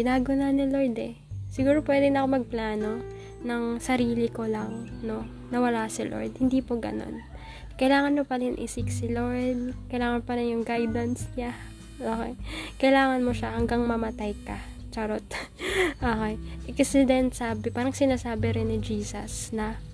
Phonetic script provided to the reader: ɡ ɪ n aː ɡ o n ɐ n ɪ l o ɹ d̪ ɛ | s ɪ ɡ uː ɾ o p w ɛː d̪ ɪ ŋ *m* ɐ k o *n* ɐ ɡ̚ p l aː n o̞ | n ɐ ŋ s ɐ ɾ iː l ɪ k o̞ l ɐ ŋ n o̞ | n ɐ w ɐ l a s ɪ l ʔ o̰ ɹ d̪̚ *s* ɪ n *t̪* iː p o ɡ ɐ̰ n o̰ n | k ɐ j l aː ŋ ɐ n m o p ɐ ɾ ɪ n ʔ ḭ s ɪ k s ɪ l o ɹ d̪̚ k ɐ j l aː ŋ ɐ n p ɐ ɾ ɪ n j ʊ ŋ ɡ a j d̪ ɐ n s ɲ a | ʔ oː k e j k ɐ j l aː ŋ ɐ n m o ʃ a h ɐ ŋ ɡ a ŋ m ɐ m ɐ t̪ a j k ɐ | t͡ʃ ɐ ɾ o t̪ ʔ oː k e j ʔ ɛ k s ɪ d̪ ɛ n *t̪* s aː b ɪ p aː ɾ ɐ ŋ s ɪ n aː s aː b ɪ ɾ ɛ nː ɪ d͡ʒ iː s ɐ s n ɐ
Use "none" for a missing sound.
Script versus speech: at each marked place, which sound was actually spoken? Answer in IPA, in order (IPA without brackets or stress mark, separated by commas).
n, m, h, d̪, t̪